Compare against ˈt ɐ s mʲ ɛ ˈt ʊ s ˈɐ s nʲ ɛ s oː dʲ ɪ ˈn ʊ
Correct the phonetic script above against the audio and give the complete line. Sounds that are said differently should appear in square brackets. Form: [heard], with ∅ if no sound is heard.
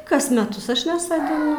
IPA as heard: [ˈk] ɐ s mʲ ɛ ˈt ʊ s ˈɐ [ʃ] nʲ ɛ s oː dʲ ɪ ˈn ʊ